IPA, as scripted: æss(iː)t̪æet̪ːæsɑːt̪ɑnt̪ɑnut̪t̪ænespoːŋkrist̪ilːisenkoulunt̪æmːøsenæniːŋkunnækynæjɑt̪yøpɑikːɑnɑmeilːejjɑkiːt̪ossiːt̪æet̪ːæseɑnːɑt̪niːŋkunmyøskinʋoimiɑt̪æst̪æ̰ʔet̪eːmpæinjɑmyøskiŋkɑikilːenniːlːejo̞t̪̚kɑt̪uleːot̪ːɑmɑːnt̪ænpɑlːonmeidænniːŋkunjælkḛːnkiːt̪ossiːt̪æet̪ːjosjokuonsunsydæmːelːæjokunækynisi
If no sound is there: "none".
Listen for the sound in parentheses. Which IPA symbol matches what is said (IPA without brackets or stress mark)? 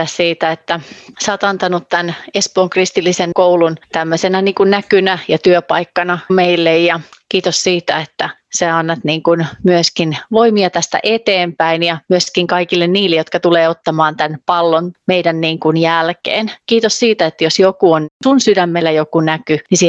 iː